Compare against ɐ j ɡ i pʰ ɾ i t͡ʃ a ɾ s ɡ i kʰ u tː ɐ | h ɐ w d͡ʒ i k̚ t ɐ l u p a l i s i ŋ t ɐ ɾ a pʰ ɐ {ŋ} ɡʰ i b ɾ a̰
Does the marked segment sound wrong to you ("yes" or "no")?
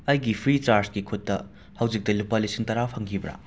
no